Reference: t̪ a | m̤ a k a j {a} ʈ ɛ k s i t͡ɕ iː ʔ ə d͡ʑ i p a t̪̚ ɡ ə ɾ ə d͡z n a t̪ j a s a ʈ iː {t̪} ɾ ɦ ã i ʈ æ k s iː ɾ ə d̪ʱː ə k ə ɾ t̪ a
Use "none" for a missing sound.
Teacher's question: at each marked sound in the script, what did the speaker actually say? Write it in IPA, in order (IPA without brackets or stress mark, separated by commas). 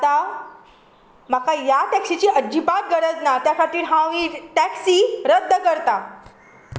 a, none